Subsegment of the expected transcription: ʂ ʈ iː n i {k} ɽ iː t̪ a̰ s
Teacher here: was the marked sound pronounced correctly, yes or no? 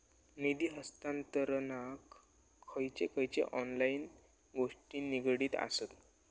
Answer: no